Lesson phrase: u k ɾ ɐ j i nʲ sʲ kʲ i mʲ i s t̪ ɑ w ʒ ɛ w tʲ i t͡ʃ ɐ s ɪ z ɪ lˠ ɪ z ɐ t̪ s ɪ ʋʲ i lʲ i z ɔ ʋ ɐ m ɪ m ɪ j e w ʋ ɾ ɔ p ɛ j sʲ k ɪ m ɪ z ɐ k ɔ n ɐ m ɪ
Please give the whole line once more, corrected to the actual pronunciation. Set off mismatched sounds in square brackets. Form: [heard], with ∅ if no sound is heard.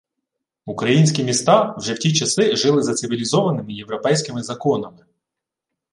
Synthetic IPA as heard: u k ɾ ɐ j i nʲ sʲ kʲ i mʲ i s t̪ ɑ w ʒ ɛ w tʲ i t͡ʃ ɐ s ɪ [ʒ] ɪ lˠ ɪ z ɐ t̪ s ɪ ʋʲ i lʲ i z ɔ ʋ ɐ [n] ɪ m ɪ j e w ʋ ɾ ɔ p ɛ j sʲ k ɪ m ɪ z ɐ k ɔ n ɐ m ɪ